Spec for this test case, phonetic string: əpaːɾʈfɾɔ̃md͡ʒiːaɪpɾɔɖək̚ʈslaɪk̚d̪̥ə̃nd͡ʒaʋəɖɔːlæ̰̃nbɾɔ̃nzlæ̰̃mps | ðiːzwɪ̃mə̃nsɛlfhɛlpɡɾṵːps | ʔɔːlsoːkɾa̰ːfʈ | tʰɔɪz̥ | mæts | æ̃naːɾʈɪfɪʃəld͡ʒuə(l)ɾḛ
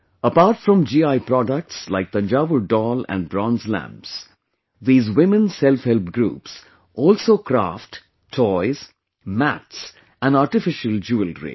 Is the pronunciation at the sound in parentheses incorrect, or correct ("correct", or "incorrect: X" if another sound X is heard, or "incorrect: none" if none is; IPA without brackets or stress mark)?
correct